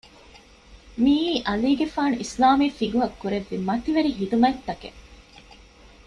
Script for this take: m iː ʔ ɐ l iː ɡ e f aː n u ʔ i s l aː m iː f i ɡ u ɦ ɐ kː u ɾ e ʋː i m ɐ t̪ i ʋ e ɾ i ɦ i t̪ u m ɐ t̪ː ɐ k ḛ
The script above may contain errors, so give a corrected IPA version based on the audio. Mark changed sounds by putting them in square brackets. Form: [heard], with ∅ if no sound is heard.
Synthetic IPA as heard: m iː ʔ ɐ l iː ɡ e f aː n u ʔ i s l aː m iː f i ɡ u ɦ ɐ kː u ɾ e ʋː i m ɐ t̪ i ʋ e ɾ i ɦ i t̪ u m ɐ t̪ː ɐ k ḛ